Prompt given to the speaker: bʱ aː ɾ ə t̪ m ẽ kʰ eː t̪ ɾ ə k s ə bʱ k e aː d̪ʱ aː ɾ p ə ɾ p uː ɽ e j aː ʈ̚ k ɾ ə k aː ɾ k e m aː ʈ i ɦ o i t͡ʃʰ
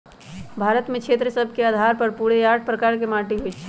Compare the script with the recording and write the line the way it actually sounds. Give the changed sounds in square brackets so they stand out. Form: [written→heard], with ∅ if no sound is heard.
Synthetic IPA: bʱ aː ɾ ə t̪ m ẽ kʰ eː t̪ ɾ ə [k→∅] s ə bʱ k e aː d̪ʱ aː ɾ p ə ɾ p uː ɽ e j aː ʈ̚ [k→p] ɾ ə k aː ɾ k e m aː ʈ i ɦ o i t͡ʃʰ